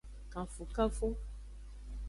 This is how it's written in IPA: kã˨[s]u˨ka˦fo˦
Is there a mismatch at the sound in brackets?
yes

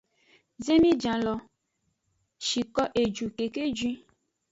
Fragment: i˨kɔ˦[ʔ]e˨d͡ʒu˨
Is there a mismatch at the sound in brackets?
no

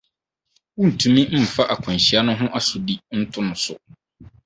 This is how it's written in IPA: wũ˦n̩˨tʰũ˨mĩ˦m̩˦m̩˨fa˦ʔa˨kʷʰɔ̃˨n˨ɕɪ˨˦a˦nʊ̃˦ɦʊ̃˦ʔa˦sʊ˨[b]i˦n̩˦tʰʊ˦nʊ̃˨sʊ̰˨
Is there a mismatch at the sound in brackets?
yes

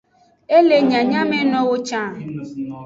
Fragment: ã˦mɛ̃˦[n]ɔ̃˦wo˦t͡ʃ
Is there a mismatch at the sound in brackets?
no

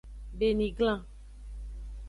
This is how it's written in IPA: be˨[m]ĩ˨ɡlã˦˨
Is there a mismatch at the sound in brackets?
yes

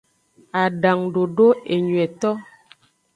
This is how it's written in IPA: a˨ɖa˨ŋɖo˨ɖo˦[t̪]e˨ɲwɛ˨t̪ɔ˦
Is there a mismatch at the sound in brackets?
yes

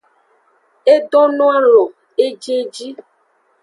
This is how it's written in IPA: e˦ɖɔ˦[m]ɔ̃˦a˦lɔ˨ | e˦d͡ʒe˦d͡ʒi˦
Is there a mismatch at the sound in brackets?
yes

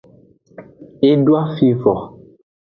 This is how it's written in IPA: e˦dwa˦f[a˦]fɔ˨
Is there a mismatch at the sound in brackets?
yes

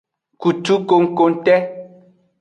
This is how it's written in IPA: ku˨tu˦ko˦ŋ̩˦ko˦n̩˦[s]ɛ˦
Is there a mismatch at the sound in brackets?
yes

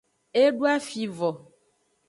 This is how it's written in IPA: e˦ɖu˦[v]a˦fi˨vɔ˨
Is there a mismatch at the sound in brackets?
yes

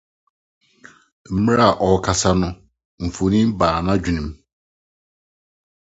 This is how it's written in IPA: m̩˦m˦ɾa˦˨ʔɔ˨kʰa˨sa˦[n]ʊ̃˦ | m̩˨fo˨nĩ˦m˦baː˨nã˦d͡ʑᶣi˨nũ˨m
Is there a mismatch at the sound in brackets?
no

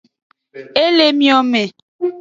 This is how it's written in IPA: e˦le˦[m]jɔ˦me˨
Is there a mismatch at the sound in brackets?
no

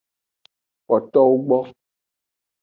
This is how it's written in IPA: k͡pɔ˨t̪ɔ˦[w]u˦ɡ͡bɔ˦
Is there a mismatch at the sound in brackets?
no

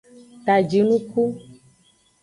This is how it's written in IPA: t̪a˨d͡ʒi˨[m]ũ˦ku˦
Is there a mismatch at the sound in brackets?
yes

